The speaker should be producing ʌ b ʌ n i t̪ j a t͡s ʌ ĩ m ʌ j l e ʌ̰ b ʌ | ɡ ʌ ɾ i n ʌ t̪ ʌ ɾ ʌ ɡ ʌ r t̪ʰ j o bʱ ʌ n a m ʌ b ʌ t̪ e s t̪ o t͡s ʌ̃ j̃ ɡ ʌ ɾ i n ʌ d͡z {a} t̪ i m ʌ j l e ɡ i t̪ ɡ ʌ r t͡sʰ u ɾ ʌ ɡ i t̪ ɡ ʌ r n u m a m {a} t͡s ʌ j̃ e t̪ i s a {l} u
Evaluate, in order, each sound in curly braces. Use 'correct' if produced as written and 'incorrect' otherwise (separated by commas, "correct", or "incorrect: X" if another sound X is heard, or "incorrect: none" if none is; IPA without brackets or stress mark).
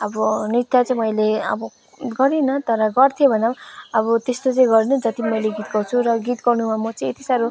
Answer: incorrect: ʌ, incorrect: ʌ, incorrect: ɾ